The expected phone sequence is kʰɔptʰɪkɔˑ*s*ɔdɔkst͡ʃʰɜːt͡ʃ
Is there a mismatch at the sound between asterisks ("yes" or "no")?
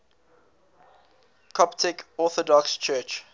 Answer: yes